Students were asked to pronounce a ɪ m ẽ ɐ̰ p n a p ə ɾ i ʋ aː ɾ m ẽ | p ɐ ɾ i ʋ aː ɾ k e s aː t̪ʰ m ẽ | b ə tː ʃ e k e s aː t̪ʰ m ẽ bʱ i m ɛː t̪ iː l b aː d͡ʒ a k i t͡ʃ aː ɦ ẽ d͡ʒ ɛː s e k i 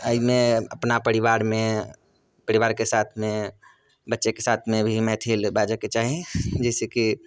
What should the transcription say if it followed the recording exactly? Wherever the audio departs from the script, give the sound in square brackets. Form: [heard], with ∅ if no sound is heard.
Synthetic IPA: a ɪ m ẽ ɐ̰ p n a p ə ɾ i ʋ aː ɾ m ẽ | p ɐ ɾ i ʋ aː ɾ k e s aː t̪ʰ m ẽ | b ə tː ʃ e k e s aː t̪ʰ m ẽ bʱ i m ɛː [t̪ʰ] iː l b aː d͡ʒ a k [e] t͡ʃ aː ɦ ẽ d͡ʒ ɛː s e k i